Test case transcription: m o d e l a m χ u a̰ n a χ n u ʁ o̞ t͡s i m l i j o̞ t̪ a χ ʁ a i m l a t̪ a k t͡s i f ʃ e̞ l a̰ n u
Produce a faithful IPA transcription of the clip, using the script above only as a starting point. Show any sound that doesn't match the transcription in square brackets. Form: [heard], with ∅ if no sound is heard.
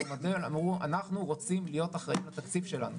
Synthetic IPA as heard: m o d e l a m [ʁ] u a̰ n a χ n u ʁ o̞ t͡s i m l i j o̞ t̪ a χ ʁ a i m l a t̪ a k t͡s i f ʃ e̞ l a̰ n u